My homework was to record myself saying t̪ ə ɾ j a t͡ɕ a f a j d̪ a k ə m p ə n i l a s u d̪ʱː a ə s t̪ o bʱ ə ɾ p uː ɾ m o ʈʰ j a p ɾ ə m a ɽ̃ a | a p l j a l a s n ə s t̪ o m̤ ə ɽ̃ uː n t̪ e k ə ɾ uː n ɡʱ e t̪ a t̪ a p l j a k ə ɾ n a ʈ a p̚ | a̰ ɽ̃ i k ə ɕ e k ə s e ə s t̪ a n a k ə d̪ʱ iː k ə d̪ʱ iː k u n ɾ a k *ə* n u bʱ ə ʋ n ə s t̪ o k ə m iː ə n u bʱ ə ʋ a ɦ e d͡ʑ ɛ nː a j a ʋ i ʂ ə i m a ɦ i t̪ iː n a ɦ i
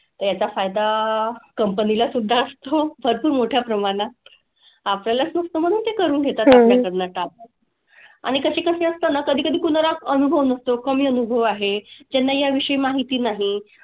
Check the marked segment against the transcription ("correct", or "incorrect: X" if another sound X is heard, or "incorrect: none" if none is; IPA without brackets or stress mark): correct